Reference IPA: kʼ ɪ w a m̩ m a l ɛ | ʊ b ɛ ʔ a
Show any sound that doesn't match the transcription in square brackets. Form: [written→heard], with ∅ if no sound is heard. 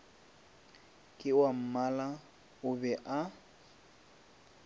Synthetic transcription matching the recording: kʼ ɪ w a m̩ m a l [ɛ→a] | ʊ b ɛ ʔ a